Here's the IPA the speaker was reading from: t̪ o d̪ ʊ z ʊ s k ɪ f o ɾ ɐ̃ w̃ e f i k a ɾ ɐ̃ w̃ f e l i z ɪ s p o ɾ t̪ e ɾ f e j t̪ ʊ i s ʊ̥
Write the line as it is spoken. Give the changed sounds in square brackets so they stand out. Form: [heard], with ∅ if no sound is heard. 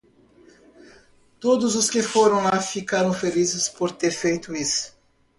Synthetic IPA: t̪ o d̪ ʊ z ʊ s k ɪ f o ɾ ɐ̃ w̃ [a] f i k a ɾ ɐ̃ w̃ f e l i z ɪ s p o ɾ t̪ e ɾ f e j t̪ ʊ i s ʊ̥